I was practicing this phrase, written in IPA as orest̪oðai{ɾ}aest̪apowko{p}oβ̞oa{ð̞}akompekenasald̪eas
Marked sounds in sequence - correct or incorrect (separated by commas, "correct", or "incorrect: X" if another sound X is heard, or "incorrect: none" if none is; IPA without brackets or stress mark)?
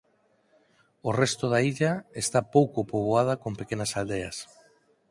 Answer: incorrect: ʎ, correct, correct